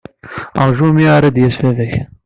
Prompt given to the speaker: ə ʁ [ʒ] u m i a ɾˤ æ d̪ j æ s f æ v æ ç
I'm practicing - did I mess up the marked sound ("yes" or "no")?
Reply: no